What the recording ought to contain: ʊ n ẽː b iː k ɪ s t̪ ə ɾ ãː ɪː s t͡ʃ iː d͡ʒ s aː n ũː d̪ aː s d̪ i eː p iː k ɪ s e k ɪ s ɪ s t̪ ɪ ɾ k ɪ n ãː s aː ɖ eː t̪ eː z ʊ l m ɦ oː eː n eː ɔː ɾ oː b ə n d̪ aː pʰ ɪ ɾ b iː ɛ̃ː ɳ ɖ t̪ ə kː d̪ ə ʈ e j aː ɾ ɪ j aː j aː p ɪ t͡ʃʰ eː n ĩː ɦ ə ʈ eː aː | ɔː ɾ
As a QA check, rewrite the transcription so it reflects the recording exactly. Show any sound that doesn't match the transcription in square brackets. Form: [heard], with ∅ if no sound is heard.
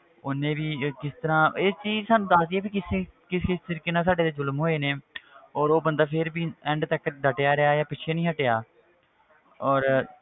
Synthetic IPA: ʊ n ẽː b iː k ɪ s t̪ ə ɾ ãː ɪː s t͡ʃ iː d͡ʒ s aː n ũː d̪ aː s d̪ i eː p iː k ɪ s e k ɪ s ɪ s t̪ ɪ ɾ k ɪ n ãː s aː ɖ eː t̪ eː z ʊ l m ɦ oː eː n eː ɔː ɾ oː b ə n d̪ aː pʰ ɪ ɾ b iː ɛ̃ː ɳ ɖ t̪ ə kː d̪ ə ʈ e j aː ɾ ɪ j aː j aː p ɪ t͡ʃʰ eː n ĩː ɦ ə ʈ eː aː | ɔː ɾ